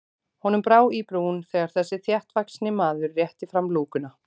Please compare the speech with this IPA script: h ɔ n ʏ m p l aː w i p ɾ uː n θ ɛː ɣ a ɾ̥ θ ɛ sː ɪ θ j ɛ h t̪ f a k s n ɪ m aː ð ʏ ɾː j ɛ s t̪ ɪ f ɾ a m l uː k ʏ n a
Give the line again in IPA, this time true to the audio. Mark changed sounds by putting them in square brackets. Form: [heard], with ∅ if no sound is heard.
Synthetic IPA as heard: h ɔ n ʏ m p [ɾ] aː w i p ɾ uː n θ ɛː ɣ a ɾ̥ θ ɛ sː ɪ θ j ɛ h t̪ [v] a k s n ɪ m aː ð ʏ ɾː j ɛ [h] t̪ ɪ f ɾ a m l uː k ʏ n a